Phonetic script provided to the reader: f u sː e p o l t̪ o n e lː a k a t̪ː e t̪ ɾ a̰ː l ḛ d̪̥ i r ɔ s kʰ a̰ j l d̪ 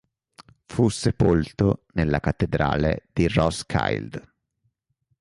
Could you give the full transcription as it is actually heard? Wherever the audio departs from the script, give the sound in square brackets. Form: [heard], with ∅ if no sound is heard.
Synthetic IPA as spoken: f u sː e p o l t̪ o n e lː a k a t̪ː e [d̪] ɾ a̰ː l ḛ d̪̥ i r ɔ s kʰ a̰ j l d̪